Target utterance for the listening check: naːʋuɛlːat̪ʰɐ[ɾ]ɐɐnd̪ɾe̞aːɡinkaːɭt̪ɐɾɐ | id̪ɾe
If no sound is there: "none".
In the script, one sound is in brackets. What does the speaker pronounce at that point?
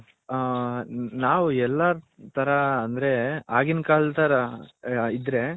ɾ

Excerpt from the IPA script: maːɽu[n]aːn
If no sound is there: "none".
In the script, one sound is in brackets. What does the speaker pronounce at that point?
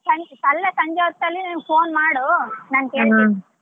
n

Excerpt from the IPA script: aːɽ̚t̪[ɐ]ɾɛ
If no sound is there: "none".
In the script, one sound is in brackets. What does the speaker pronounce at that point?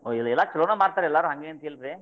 a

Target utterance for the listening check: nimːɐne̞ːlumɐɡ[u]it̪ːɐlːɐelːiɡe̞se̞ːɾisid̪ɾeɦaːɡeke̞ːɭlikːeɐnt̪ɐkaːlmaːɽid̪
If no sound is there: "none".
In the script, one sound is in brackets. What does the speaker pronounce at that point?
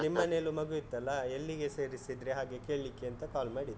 u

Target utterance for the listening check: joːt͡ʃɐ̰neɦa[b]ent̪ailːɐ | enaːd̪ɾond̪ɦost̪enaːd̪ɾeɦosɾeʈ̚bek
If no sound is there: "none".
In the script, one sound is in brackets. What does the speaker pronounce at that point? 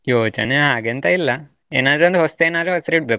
ɡ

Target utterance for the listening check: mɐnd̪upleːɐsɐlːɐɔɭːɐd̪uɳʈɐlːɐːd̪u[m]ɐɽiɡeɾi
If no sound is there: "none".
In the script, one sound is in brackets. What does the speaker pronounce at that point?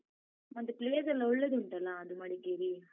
m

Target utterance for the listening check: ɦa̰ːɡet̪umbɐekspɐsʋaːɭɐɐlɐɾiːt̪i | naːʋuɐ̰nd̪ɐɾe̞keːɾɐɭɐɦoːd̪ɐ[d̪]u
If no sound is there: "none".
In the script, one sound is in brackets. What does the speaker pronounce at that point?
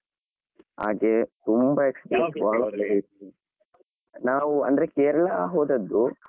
d̪ː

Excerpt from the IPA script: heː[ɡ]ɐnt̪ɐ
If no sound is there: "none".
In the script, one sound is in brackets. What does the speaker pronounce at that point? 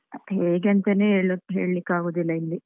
ɡ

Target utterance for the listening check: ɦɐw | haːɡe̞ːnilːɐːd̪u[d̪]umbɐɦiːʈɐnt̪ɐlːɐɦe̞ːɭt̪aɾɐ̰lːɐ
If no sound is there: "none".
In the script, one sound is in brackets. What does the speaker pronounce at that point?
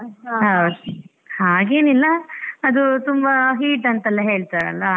t̪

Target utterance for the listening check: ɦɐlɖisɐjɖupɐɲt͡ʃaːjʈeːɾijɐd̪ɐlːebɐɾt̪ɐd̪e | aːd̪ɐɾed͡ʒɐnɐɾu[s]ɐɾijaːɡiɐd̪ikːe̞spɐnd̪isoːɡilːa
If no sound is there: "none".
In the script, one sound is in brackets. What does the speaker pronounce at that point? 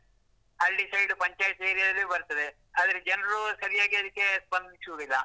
s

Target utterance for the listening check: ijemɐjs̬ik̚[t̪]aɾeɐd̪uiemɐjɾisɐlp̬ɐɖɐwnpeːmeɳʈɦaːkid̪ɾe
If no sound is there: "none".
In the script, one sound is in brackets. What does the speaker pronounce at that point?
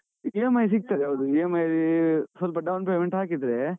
t̪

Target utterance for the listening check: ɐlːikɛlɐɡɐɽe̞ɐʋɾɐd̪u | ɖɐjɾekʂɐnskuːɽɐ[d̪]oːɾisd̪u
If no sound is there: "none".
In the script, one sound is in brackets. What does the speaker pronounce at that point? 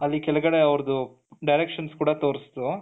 t̪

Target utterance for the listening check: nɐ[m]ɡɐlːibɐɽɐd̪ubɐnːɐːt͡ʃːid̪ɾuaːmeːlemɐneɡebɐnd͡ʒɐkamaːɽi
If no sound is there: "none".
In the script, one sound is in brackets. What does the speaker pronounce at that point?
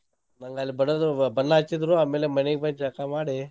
ŋ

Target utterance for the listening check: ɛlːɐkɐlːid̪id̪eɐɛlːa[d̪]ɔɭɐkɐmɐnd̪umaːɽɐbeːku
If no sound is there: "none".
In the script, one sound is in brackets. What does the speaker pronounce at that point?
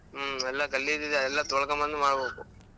t̪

